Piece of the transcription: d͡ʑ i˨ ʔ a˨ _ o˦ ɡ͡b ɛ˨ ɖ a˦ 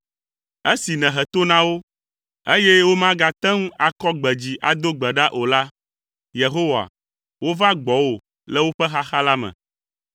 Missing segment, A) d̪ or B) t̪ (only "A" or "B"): A